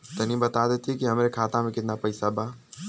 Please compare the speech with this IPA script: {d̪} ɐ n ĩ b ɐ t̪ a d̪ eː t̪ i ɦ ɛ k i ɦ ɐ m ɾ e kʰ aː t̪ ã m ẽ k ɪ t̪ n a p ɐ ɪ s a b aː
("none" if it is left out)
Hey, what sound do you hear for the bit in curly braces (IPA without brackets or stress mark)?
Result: t̪